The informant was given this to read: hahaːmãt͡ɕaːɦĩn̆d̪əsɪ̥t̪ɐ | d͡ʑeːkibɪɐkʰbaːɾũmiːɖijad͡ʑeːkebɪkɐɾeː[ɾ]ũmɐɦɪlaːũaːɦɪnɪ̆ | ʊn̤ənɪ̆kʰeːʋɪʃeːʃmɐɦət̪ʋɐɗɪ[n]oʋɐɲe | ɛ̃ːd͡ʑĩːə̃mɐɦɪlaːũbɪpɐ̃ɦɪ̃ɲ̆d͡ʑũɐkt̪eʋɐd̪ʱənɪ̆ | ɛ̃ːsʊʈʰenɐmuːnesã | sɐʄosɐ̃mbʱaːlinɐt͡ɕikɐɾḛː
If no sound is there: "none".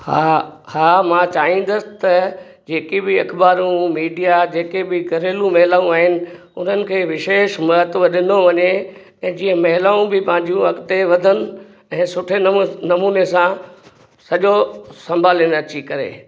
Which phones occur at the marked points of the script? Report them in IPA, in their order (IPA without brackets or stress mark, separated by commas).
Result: l, n